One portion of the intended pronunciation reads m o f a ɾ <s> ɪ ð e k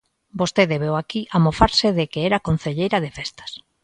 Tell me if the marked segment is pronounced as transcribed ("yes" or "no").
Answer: yes